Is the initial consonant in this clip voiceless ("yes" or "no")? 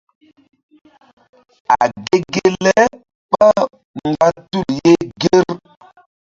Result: no